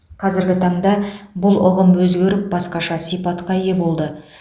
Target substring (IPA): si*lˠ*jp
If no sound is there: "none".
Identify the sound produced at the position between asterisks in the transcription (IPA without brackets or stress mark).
none